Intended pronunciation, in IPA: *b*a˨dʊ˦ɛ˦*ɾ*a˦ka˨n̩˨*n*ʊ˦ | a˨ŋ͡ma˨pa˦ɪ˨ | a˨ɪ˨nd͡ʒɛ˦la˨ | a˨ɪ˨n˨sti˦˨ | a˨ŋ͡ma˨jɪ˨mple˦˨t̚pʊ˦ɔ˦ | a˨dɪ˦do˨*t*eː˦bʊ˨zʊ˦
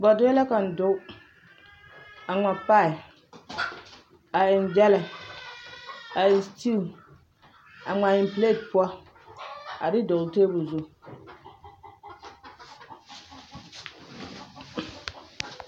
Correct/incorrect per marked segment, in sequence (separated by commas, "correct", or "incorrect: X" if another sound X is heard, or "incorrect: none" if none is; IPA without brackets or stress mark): correct, incorrect: l, incorrect: d, correct